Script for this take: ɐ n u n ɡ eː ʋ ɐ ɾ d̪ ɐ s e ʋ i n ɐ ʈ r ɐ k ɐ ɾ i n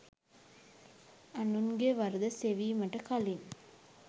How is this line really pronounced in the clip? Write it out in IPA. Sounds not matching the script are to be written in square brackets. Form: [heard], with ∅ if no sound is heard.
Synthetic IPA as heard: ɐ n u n ɡ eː ʋ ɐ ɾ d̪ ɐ s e ʋ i [m] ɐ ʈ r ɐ k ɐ [l] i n